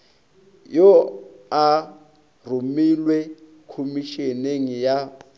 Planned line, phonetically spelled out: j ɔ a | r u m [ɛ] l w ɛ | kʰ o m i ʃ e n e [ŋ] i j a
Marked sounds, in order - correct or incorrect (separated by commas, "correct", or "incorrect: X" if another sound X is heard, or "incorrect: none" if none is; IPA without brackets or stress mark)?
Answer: incorrect: i, correct